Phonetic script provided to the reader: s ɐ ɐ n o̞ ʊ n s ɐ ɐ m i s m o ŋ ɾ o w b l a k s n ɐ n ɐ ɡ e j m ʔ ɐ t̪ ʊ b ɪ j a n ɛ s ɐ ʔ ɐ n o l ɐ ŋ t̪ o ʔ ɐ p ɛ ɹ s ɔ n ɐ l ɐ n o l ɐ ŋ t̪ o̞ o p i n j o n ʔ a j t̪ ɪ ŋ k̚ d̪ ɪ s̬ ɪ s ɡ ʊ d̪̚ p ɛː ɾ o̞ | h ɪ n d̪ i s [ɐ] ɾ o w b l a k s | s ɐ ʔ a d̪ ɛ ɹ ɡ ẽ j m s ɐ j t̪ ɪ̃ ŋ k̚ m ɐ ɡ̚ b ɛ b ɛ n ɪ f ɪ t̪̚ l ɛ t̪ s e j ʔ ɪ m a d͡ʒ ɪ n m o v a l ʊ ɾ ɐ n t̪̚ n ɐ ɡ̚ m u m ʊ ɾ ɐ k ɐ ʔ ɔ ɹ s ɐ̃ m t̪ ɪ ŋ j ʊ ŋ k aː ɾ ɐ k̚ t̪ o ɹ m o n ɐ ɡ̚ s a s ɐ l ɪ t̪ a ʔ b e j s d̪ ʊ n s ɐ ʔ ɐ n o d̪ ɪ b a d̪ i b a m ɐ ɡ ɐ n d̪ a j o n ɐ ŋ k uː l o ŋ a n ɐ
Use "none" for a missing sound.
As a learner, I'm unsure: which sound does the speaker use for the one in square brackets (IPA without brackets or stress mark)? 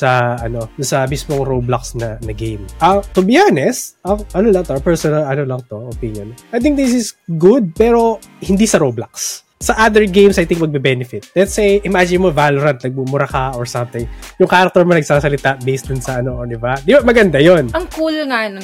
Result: ɐ